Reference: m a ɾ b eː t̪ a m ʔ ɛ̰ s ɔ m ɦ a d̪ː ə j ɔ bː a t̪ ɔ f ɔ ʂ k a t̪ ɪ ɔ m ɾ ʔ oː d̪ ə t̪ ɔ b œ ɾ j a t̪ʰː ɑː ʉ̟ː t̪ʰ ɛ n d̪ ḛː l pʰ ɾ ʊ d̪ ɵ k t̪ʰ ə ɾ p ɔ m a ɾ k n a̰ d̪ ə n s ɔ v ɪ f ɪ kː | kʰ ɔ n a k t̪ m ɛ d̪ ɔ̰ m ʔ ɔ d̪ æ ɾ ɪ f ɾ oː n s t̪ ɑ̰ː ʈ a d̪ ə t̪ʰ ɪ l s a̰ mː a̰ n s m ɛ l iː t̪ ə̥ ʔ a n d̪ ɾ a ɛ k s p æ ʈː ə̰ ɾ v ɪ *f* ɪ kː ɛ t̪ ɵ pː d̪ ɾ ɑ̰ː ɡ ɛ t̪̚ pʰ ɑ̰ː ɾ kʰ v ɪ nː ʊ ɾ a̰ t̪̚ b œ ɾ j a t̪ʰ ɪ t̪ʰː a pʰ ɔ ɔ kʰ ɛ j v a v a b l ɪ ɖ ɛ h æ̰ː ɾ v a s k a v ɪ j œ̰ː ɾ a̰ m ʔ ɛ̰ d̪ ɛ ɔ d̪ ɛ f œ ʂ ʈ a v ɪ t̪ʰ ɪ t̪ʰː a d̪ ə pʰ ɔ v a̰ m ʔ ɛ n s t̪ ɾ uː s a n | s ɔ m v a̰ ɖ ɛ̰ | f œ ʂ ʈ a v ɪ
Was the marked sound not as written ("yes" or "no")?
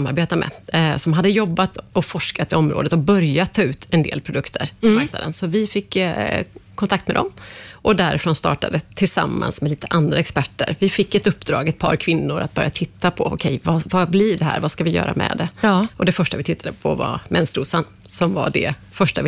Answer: no